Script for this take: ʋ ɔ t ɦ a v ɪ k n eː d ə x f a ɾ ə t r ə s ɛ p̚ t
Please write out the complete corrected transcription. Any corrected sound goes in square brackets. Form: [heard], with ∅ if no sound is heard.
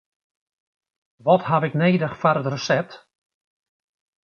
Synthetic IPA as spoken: ʋ ɔ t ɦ a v ɪ k n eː d ə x f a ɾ ə t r ə s ɛ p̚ t